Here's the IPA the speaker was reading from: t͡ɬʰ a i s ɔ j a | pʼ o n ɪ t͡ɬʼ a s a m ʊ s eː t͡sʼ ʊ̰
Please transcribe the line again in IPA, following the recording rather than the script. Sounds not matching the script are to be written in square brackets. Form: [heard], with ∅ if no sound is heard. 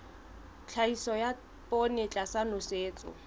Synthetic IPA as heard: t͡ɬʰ a i s ɔ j a | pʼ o n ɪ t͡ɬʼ a s a [n] ʊ s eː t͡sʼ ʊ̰